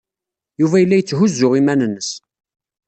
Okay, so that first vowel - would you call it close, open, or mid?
close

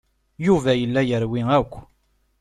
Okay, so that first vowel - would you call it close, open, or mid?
close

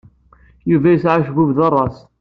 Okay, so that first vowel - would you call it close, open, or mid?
close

